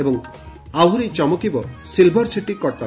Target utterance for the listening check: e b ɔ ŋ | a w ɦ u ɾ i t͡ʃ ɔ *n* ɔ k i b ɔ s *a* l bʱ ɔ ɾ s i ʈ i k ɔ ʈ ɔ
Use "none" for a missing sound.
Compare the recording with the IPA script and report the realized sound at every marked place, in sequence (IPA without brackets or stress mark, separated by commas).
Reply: m, i